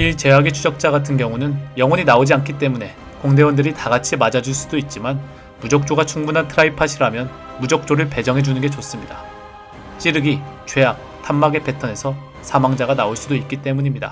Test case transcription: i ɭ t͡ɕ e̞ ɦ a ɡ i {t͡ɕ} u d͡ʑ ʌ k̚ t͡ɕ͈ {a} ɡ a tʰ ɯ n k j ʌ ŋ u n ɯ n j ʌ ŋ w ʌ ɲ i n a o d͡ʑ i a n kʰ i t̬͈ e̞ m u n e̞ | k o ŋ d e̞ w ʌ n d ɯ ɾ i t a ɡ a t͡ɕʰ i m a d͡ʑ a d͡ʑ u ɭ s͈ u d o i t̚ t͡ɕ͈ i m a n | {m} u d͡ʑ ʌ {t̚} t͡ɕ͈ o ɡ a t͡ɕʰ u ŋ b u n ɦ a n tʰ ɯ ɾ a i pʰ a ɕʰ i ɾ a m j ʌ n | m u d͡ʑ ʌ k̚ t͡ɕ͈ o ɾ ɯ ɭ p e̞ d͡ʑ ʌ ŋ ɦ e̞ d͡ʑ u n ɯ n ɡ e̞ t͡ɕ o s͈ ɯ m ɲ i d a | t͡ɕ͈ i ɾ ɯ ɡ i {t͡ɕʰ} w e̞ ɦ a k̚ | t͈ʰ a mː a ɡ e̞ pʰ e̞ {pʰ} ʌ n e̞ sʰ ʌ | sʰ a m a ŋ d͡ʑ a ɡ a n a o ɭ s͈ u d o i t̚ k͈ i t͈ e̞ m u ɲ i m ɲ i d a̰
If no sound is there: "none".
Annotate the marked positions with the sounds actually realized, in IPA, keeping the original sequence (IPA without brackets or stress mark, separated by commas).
t͡ɕʰ, a, m, k̚, t͡ɕ, tʰ